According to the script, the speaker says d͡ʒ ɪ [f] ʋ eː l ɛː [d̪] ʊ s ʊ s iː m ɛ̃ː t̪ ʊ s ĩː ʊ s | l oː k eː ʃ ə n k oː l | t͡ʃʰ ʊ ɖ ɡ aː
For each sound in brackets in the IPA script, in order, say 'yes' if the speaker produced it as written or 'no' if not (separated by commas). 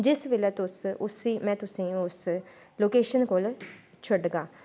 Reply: no, no